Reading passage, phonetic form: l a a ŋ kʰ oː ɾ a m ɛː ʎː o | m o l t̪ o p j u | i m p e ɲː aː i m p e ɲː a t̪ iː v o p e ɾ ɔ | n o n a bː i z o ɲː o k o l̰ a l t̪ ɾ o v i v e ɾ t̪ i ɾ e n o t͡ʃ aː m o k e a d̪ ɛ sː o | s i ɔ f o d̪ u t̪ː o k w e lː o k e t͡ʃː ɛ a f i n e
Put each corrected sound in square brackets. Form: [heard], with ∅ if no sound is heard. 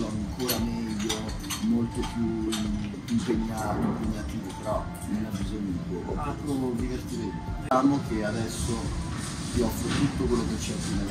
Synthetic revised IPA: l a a ŋ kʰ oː ɾ a m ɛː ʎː o | m o l t̪ o p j u | i m p e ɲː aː i m p e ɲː a t̪ iː v o p e ɾ ɔ | n o n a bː i z o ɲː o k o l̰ a l t̪ ɾ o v i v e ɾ t̪ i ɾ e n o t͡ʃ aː m o k e a d̪ ɛ sː o | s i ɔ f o [t̪] u t̪ː o k w e lː o k e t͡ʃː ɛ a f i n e